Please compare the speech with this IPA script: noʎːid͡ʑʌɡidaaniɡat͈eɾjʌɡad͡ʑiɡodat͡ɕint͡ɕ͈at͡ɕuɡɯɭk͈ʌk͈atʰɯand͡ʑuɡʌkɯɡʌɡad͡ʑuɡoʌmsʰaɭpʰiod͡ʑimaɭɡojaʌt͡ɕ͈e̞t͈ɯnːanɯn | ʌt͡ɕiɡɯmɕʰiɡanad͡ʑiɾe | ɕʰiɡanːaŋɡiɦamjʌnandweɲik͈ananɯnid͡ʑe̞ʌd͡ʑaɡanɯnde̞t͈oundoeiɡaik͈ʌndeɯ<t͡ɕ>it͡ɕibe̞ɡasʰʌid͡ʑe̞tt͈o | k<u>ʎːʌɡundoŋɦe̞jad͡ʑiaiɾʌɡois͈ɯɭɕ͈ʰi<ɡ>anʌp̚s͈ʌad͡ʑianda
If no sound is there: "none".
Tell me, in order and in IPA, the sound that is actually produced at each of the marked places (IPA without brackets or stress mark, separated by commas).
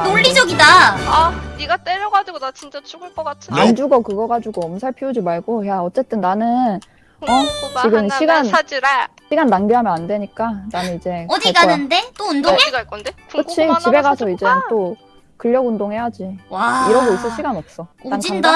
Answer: t͡ɕʰ, ɯ, ɡ